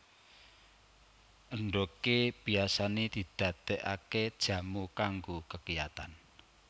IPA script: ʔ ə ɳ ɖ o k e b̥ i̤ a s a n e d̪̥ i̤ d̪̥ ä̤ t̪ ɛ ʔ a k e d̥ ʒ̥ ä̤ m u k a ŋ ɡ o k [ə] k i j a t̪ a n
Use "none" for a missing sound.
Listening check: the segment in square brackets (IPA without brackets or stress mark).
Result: ə